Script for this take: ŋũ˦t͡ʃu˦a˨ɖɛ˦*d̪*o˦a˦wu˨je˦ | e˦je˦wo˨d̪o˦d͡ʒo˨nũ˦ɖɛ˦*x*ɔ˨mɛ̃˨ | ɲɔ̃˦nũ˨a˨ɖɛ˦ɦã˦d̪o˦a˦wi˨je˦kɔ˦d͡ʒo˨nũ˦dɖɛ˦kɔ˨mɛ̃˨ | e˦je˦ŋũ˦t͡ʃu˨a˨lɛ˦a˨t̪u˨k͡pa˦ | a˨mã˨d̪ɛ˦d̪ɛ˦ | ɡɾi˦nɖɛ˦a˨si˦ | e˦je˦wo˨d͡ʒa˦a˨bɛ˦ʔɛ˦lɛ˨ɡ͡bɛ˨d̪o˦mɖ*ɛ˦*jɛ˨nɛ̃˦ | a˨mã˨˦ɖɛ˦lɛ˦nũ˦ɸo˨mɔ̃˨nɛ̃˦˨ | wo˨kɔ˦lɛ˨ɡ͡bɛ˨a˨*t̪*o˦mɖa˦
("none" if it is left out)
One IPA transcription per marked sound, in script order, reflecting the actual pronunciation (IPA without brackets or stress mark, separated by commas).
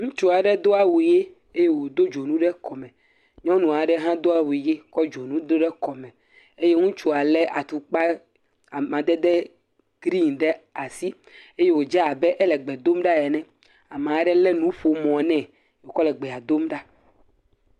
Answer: d̪, k, a˦, d̪